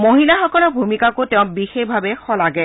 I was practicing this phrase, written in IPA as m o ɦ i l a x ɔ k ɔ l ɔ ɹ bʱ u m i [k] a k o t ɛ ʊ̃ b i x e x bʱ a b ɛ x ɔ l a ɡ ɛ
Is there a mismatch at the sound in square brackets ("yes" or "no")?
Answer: no